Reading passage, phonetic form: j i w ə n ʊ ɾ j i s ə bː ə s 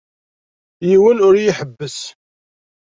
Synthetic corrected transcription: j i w ə n ʊ ɾ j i ħ ə bː ə s